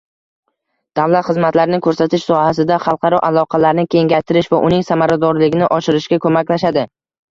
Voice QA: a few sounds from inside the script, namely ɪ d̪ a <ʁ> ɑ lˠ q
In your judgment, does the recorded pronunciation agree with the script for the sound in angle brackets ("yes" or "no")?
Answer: no